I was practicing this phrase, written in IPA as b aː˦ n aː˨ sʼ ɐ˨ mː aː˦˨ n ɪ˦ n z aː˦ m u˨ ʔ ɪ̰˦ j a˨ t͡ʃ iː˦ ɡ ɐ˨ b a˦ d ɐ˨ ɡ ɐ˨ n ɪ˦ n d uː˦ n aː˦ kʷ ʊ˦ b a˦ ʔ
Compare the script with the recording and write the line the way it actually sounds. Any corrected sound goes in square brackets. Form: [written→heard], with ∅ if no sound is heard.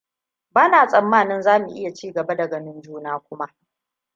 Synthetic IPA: b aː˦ n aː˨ sʼ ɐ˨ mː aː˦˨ n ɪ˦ n z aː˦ m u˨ ʔ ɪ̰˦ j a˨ t͡ʃ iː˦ ɡ ɐ˨ b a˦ d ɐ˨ ɡ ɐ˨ n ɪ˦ n [d→d͡ʒ] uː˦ n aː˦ kʷ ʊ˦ [b→m] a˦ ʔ